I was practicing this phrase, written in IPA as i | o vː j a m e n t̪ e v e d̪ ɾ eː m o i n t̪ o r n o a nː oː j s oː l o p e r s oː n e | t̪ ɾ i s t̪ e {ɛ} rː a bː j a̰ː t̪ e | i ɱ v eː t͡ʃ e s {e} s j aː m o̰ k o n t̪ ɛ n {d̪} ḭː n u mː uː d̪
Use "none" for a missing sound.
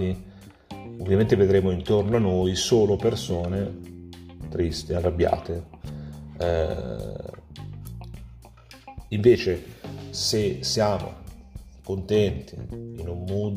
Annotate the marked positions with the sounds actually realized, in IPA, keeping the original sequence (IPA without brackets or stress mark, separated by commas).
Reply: a, e, t̪